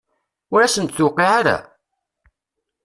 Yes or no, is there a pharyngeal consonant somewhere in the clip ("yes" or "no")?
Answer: yes